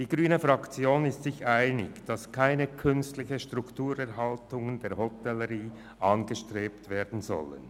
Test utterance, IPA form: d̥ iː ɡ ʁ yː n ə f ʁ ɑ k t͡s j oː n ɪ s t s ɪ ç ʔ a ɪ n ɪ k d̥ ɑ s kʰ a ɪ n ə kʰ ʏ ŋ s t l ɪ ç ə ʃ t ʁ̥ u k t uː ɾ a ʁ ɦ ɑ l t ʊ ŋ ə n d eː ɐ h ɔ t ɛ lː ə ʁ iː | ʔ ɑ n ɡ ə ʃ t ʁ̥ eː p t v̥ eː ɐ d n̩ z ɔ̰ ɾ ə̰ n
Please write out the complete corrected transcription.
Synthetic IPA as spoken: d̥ iː ɡ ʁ yː n ə f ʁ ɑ k t͡s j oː n ɪ s t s ɪ ç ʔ a ɪ n ɪ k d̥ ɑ s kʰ a ɪ n ə kʰ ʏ n s t l ɪ ç ə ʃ t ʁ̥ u k t uː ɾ ɛ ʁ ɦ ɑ l t ʊ ŋ ə n d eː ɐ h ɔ t ɛ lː ə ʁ iː | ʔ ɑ n ɡ ə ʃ t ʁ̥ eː p t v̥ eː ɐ d n̩ z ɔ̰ l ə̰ n